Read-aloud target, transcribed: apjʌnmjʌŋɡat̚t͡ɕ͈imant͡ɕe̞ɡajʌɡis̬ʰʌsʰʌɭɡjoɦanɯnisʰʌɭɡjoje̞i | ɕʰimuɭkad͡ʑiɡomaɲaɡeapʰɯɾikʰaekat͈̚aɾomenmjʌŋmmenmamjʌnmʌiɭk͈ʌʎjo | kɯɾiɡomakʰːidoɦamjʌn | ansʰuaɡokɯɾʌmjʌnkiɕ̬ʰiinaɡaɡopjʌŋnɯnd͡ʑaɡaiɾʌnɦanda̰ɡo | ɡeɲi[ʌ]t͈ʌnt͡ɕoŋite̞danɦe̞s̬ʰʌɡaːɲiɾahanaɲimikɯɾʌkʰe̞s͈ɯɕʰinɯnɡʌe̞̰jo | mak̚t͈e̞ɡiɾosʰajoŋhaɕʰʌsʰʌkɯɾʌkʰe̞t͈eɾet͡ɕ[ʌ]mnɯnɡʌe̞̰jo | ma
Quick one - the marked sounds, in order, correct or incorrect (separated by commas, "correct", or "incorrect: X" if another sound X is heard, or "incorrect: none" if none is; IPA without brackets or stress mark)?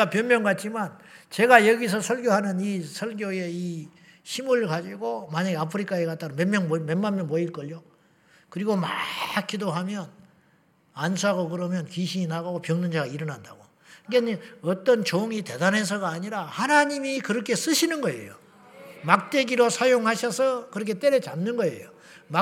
correct, incorrect: a